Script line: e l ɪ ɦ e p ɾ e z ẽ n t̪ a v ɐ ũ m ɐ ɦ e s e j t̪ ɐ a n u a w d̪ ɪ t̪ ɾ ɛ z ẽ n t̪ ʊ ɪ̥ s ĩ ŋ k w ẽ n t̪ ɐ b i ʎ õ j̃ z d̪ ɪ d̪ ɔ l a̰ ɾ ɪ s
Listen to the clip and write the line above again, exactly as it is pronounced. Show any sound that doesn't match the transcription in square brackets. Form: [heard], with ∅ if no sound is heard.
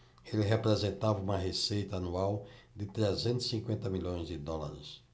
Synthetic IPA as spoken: e l ɪ ɦ e p ɾ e z ẽ n t̪ a v ɐ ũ m ɐ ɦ e s e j t̪ ɐ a n u a w d̪ ɪ t̪ ɾ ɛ z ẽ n t̪ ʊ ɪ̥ s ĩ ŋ k w ẽ n t̪ ɐ [m] i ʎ õ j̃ z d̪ ɪ d̪ ɔ l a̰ ɾ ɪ s